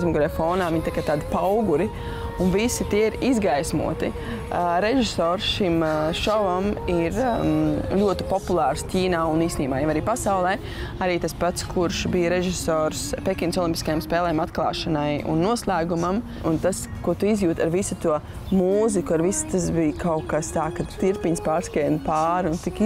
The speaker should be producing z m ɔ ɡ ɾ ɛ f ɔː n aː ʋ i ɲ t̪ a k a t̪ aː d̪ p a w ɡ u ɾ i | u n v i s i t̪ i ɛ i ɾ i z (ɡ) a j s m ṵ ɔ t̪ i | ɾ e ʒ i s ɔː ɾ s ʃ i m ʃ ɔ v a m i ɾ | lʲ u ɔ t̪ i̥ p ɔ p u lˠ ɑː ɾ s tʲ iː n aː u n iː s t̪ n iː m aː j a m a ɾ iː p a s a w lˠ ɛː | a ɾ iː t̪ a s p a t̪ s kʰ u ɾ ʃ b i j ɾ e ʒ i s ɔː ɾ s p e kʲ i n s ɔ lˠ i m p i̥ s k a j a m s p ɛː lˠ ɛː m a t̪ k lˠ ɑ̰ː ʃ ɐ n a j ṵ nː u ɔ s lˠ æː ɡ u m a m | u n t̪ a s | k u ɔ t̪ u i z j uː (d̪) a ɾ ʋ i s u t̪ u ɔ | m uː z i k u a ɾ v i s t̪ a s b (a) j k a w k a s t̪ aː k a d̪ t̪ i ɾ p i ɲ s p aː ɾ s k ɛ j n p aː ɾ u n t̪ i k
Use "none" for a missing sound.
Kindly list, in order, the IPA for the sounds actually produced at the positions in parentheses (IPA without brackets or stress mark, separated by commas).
ɡ, t̪, i